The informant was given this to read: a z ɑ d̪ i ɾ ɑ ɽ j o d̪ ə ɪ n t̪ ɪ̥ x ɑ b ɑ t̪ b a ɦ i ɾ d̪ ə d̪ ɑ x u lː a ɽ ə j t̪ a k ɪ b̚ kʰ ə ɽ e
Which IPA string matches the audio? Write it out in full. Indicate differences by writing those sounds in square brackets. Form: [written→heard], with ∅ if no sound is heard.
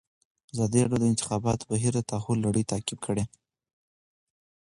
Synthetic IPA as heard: a z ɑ d̪ i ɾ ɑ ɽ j o d̪ ə ɪ n t̪ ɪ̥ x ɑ b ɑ t̪ b a ɦ i ɾ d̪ ə [d̪→t̪] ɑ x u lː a ɽ ə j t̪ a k ɪ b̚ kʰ ə ɽ e